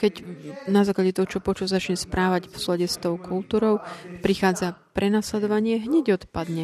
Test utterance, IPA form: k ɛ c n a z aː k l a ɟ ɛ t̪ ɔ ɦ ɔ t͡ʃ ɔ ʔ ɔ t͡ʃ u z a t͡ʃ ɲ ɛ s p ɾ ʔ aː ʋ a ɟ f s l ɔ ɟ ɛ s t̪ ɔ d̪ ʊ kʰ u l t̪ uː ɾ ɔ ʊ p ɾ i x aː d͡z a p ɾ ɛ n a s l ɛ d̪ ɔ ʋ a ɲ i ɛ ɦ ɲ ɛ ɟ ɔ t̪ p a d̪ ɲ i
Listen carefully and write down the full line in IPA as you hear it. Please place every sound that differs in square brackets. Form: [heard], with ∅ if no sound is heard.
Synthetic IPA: k ɛ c n a z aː k l a ɟ ɛ t̪ ɔ ɦ ɔ t͡ʃ ɔ [p] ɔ t͡ʃ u z a t͡ʃ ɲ ɛ s p ɾ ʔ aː ʋ a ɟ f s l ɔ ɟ ɛ s t̪ ɔ [∅] ʊ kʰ u l t̪ uː ɾ ɔ ʊ p ɾ i x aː d͡z a p ɾ ɛ n a s l ɛ d̪ ɔ ʋ a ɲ [ɪ] ɛ ɦ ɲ ɛ ɟ ɔ t̪ p a d̪ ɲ [ɛ]